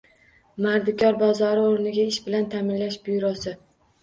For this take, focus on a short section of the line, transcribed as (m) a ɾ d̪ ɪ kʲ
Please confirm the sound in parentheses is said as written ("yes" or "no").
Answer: yes